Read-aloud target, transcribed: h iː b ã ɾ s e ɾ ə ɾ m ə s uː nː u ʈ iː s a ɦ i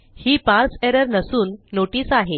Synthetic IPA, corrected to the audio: h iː p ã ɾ s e ɾ ə ɾ n ə s uː nː o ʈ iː s a ɦ e